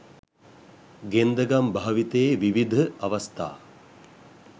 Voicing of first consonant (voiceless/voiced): voiced